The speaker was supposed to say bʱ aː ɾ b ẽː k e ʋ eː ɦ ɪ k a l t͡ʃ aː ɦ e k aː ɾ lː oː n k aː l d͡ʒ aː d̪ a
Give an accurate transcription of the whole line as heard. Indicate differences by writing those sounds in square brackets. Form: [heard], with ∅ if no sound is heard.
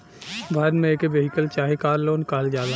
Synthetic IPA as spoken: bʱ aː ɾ [m] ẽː k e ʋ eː ɦ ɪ k [ə] l t͡ʃ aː ɦ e k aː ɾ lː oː n k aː l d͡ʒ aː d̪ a